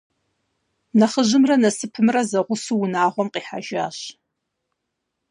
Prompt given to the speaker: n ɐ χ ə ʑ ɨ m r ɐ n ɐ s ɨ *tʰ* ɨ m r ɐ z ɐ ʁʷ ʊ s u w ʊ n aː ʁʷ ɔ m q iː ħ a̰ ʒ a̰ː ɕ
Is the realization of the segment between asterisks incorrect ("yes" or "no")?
yes